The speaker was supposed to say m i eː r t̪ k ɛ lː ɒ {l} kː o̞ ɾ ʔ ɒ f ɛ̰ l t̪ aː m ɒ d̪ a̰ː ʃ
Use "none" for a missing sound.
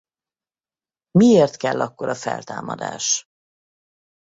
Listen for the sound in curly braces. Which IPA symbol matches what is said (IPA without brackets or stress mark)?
none